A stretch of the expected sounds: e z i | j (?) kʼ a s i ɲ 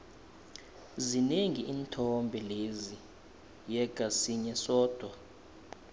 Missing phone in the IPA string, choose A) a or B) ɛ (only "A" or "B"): B